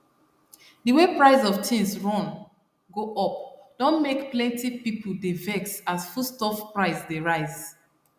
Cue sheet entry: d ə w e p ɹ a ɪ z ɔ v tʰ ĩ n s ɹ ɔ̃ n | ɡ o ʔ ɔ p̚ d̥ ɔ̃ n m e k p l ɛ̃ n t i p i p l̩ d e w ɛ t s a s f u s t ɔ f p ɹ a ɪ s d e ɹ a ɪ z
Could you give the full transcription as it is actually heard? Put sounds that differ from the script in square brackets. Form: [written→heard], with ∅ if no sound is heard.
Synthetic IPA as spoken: d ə w e p ɹ a ɪ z ɔ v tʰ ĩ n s ɹ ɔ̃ n | ɡ o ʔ ɔ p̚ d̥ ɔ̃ n m e k p l ɛ̃ n t i p i p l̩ d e [w→v] ɛ [t→k] s a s f u s t ɔ f p ɹ a ɪ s d e ɹ a ɪ z